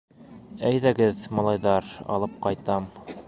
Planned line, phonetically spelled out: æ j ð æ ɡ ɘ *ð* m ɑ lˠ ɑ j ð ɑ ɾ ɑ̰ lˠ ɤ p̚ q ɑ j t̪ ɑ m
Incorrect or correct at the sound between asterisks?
correct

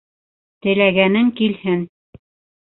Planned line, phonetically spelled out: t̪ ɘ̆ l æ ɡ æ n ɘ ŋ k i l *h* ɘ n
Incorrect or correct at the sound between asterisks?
correct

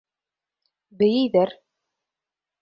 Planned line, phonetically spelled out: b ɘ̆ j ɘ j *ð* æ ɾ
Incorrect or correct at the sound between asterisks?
correct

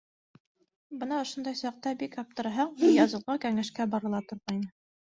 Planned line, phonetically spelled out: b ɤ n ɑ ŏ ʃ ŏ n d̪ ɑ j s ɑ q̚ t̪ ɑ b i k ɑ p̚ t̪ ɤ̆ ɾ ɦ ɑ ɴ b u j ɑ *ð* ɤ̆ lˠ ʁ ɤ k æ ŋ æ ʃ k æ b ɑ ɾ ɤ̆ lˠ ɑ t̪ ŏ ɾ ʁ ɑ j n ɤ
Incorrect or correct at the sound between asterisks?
incorrect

